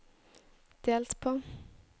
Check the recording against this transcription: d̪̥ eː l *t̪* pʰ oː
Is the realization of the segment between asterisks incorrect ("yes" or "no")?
no